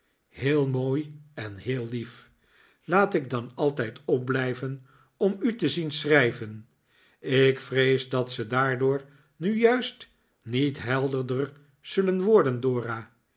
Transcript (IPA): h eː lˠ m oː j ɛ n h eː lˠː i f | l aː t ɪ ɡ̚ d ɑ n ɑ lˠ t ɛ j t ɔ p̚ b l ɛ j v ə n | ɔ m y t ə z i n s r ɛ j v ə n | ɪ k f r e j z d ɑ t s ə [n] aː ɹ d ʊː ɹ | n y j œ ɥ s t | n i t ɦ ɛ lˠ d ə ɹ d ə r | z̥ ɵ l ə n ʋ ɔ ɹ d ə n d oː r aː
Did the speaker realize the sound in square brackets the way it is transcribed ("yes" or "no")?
no